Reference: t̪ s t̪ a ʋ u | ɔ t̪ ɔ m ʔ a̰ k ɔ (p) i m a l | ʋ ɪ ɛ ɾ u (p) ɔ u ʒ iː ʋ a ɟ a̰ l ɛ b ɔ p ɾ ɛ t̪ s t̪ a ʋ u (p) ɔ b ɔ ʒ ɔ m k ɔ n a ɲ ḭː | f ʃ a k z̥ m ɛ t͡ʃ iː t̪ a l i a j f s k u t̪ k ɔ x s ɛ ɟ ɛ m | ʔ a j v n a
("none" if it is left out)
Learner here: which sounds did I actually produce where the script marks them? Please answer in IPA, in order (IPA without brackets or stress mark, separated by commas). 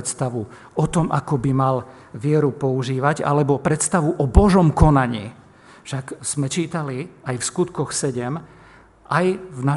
b, p, ʔ